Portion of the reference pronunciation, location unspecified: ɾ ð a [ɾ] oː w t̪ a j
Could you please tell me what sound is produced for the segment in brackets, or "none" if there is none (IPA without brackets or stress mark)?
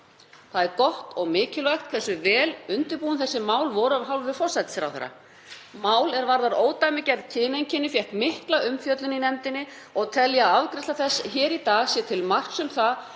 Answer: ɾ